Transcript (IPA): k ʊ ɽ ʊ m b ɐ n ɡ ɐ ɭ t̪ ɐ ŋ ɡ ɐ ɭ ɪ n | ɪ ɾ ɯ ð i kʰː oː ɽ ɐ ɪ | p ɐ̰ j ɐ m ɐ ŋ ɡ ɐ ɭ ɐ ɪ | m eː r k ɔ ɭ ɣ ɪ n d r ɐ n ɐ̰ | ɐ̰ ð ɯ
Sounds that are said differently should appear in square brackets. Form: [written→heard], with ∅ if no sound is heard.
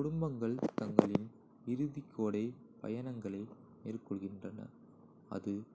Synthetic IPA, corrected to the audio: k ʊ ɽ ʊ m b ɐ [n→ŋ] ɡ ɐ ɭ t̪ ɐ ŋ ɡ ɐ ɭ ɪ n | ɪ ɾ ɯ ð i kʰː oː ɽ ɐ ɪ | p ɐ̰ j ɐ [m→n] ɐ ŋ ɡ ɐ ɭ ɐ ɪ | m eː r k ɔ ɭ ɣ ɪ n d r ɐ n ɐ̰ | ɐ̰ ð ɯ